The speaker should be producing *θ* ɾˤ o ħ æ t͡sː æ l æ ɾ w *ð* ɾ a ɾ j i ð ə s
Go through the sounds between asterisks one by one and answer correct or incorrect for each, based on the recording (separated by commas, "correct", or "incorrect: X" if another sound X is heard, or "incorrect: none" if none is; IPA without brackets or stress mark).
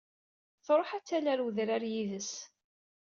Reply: correct, correct